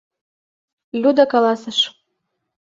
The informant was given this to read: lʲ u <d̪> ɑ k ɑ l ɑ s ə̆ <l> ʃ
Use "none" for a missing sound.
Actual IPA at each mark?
d̪, none

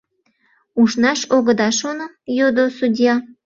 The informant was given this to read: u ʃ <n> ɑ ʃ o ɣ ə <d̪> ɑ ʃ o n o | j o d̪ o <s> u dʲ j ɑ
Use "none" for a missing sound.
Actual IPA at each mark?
n, d̪, s

